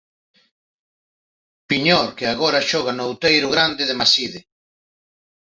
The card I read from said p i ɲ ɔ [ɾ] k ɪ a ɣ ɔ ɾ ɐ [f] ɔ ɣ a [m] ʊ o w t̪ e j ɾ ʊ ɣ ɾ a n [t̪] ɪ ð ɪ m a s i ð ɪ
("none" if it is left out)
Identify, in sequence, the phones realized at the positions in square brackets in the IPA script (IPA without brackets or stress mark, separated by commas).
ɾ, ʃ, n, d̪